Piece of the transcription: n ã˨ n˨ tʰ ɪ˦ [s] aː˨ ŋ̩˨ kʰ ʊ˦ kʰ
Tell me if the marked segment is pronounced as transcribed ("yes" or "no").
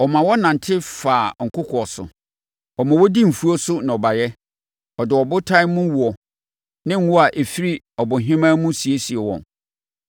no